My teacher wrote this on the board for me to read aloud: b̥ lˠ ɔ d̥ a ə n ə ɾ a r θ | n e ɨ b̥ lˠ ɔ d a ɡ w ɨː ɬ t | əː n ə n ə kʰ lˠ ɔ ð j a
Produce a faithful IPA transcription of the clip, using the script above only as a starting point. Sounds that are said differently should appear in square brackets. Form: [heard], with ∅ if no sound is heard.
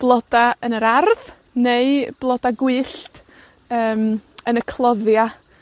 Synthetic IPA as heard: b̥ lˠ ɔ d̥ a ə n ə ɾ a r [ð] | n e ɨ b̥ lˠ ɔ d a ɡ w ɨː ɬ t | əː [m] ə n ə kʰ lˠ ɔ ð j a